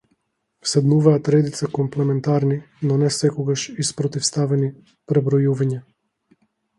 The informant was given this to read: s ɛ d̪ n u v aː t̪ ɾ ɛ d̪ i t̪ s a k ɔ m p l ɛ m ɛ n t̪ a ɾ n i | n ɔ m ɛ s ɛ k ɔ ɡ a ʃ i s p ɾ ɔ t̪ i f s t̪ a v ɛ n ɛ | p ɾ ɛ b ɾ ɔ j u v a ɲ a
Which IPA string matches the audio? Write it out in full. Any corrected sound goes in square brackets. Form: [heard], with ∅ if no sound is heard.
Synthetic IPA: s ɛ d̪ n u v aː t̪ ɾ ɛ d̪ i t̪ s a k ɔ m p l ɛ m ɛ n t̪ a ɾ n i | n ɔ [n] ɛ s ɛ k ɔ ɡ a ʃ i s p ɾ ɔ t̪ i f s t̪ a v ɛ n [i] | p ɾ ɛ b ɾ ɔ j u v a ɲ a